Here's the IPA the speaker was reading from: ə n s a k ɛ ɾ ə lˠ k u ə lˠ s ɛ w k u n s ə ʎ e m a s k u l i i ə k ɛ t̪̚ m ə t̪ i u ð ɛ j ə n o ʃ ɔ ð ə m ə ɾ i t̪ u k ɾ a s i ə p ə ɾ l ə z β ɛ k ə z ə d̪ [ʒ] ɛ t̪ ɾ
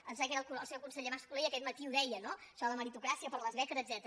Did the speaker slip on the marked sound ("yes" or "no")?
yes